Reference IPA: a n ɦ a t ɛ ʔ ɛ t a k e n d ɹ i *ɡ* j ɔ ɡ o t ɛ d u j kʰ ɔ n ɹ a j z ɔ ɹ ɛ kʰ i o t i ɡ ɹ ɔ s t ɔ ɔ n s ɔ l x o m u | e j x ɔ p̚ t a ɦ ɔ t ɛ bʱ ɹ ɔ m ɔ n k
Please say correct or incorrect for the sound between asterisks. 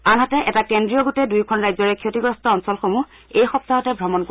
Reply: incorrect